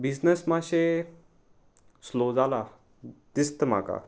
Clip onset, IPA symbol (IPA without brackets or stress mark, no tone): b